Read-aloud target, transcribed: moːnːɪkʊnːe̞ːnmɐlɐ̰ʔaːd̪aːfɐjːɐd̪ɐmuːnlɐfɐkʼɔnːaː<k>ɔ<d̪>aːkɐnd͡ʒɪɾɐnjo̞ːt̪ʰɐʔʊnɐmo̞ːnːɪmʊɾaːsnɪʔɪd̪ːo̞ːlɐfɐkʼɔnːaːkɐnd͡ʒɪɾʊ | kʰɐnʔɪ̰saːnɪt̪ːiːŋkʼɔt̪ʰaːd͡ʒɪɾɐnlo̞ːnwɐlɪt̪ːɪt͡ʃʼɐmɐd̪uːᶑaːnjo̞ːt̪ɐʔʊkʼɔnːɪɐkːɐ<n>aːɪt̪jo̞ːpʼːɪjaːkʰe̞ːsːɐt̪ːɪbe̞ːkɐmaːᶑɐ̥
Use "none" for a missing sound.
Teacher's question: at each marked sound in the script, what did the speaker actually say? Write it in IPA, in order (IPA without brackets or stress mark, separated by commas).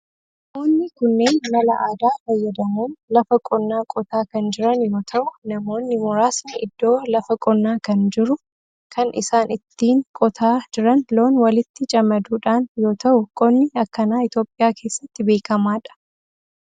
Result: kʼ, t̪, n